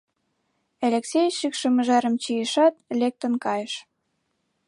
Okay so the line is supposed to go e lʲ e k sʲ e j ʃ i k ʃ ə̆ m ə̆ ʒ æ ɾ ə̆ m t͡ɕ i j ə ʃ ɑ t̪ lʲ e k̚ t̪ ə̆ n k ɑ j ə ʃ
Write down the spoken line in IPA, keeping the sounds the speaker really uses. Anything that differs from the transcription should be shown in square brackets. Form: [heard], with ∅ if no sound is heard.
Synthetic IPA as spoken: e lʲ e k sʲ e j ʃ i k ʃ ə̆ m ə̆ ʒ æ ɾ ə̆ m t͡ɕ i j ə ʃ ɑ t̪ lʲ e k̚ t̪ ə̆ n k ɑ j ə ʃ